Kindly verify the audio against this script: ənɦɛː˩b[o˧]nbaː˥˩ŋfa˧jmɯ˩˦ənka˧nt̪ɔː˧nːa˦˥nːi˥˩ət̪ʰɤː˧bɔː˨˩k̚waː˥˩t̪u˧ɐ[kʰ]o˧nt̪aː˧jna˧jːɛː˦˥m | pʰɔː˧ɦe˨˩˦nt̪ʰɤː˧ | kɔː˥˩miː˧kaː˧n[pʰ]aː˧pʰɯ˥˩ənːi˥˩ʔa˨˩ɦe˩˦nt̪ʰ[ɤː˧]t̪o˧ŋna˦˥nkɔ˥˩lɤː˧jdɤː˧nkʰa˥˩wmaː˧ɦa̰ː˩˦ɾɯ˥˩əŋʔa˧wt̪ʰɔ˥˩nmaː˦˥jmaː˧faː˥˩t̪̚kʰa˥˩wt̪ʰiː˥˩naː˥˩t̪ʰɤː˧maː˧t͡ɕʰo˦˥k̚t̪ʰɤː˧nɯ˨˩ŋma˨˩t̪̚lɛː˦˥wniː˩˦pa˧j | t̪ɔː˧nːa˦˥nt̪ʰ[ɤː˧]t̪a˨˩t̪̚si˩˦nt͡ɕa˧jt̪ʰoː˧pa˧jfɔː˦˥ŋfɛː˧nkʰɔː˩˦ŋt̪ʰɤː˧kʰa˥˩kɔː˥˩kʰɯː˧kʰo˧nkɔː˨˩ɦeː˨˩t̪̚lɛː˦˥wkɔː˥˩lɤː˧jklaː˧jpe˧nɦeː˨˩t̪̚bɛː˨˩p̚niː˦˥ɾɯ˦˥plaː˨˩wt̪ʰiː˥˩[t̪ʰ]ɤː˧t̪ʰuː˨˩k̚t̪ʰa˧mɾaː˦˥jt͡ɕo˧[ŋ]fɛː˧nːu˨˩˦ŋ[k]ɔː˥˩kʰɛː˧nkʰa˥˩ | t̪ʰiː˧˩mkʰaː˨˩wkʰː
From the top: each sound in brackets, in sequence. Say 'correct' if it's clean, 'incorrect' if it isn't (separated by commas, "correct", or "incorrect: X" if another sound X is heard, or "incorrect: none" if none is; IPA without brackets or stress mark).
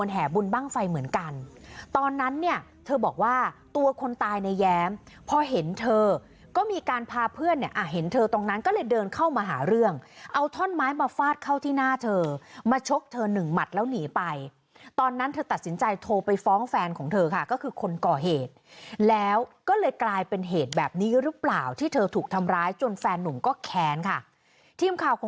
incorrect: u˧, correct, correct, correct, correct, correct, incorrect: n, correct